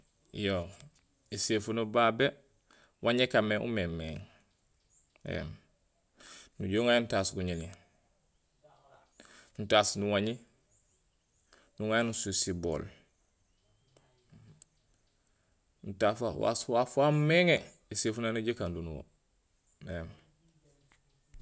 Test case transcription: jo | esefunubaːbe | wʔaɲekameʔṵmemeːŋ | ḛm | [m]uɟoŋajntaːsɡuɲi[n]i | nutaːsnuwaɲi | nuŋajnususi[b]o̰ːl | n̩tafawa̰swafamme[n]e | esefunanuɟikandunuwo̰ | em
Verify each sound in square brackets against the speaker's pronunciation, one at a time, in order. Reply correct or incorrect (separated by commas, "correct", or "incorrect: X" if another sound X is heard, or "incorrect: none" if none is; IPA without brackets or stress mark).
incorrect: n, correct, correct, incorrect: ŋ